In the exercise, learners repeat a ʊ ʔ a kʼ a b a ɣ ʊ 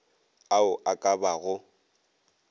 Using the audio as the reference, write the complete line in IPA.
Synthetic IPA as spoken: a ʊ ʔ a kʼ a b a ɣ ʊ